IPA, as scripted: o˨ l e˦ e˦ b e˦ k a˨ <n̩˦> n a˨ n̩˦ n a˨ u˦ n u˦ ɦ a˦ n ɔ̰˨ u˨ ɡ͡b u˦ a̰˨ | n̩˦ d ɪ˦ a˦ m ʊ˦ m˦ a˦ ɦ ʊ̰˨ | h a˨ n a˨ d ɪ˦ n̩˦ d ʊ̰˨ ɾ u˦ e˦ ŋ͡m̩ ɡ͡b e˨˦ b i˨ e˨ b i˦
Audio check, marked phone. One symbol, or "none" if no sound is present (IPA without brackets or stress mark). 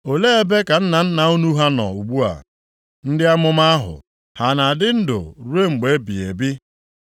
n̩˦